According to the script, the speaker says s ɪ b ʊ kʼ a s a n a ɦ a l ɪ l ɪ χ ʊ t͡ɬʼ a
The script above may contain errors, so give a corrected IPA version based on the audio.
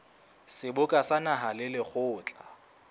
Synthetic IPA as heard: s ɪ b ʊ kʼ a s a n a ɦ a l ɪ l ɪ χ ʊː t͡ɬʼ a